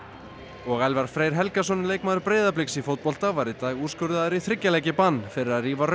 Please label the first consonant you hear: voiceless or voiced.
voiced